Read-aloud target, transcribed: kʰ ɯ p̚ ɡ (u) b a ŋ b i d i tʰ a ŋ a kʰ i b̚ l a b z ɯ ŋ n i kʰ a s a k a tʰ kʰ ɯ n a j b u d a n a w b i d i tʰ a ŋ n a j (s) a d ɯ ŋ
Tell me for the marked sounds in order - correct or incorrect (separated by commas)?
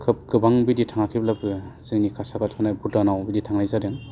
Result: incorrect, incorrect